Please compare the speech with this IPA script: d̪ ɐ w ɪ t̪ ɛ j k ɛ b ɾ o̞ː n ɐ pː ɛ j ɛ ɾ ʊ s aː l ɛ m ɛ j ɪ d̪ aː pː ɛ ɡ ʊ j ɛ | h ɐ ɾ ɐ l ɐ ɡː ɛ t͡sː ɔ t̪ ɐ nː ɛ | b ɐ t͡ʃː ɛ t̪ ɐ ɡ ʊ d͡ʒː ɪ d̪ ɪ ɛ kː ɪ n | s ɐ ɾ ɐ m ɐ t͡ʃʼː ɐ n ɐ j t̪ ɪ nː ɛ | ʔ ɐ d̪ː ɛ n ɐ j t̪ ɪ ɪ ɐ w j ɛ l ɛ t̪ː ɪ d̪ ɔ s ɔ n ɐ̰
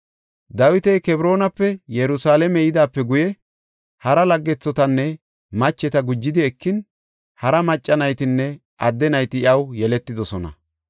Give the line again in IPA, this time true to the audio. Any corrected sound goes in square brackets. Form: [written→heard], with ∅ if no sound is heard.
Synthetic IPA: d̪ ɐ w ɪ t̪ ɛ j k ɛ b ɾ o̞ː n ɐ pː ɛ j ɛ ɾ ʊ s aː l ɛ m ɛ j ɪ d̪ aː pː ɛ ɡ ʊ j ɛ | h ɐ ɾ ɐ l ɐ ɡː ɛ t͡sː ɔ t̪ ɐ nː ɛ | [b→m] ɐ t͡ʃː ɛ t̪ ɐ ɡ ʊ d͡ʒː ɪ d̪ ɪ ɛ kː ɪ n | [s→h] ɐ ɾ ɐ m ɐ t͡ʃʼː ɐ n ɐ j t̪ ɪ nː ɛ | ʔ ɐ d̪ː ɛ n ɐ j t̪ ɪ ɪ ɐ w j ɛ l ɛ t̪ː ɪ d̪ ɔ s ɔ n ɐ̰

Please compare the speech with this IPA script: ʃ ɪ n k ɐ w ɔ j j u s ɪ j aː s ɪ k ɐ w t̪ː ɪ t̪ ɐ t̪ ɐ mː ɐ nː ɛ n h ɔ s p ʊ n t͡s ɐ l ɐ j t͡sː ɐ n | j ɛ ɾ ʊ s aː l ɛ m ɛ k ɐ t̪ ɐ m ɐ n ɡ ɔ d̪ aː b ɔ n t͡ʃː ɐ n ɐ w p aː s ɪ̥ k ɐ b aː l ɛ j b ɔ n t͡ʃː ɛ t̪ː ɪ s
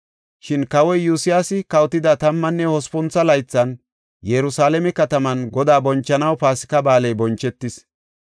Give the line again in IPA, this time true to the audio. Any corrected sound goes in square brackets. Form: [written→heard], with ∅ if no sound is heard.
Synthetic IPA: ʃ ɪ n k ɐ w ɔ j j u s ɪ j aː s ɪ k ɐ w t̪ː ɪ [t̪→d̪] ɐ t̪ ɐ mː ɐ nː ɛ [n→∅] h ɔ s p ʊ n t͡s ɐ l ɐ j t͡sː ɐ n | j ɛ ɾ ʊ s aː l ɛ m ɛ k ɐ t̪ ɐ m ɐ n ɡ ɔ d̪ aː b ɔ n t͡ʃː ɐ n ɐ w p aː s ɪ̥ k ɐ b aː l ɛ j b ɔ n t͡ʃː ɛ t̪ː ɪ s

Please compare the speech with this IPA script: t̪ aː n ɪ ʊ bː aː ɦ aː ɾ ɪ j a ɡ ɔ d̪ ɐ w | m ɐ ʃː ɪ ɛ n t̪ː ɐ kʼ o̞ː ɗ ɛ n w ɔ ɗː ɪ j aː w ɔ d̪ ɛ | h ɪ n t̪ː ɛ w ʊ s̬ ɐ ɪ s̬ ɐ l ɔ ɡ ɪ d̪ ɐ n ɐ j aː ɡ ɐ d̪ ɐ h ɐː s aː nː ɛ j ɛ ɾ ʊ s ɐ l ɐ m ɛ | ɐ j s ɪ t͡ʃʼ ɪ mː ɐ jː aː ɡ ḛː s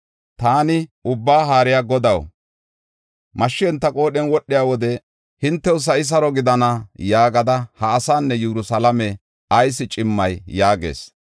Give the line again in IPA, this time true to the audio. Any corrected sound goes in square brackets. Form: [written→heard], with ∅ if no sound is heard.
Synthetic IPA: t̪ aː n ɪ ʊ bː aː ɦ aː ɾ ɪ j a ɡ ɔ d̪ ɐ w | m ɐ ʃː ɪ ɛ n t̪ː ɐ kʼ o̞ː ɗ ɛ n w ɔ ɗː ɪ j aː w ɔ d̪ ɛ | h ɪ n t̪ː ɛ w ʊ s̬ ɐ ɪ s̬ ɐ [l→ɾ] ɔ ɡ ɪ d̪ ɐ n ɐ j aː ɡ ɐ d̪ ɐ h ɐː s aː nː ɛ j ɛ ɾ ʊ s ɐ l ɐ m ɛ | ɐ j s ɪ t͡ʃʼ ɪ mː ɐ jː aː ɡ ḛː s

